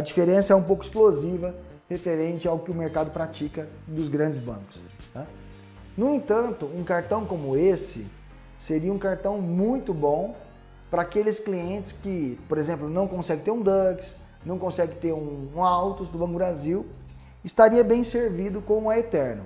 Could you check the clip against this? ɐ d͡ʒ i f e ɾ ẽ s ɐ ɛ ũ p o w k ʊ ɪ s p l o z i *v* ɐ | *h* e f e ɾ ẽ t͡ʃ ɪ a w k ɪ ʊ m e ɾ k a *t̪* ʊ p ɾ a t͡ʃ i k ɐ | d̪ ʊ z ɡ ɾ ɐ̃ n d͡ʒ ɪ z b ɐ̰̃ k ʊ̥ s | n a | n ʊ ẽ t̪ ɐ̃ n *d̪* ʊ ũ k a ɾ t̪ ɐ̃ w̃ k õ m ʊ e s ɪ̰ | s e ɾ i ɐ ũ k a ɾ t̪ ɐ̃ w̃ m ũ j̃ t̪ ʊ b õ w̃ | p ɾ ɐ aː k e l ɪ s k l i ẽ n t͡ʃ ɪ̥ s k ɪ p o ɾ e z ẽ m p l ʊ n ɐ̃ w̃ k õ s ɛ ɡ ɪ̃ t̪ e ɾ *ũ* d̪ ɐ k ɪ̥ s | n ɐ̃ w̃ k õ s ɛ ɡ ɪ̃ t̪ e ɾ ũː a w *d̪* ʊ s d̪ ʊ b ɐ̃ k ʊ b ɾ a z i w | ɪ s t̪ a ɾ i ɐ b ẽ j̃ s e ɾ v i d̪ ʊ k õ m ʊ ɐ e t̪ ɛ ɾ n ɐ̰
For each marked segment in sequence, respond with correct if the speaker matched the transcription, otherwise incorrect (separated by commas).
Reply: correct, correct, incorrect, incorrect, correct, incorrect